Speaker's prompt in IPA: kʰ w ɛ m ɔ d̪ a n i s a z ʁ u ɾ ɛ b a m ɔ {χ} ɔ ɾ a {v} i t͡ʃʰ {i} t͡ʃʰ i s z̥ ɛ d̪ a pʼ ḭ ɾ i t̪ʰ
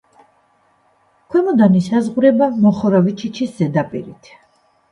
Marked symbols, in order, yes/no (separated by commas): yes, yes, yes